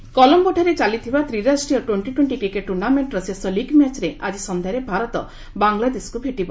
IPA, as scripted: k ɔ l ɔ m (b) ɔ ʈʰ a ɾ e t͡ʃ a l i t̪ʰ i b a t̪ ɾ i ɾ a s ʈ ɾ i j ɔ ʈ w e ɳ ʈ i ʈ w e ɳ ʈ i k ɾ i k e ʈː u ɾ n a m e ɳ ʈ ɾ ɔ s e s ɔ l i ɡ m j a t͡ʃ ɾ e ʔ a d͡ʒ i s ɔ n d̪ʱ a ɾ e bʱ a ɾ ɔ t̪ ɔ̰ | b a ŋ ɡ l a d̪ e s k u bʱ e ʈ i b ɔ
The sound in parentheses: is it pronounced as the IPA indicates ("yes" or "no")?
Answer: yes